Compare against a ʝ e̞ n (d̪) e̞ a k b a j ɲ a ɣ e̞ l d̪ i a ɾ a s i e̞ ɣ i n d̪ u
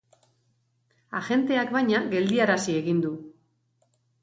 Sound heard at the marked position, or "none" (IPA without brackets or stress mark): t̪